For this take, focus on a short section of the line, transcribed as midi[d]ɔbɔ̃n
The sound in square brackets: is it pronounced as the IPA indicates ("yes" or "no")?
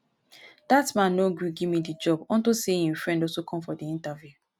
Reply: no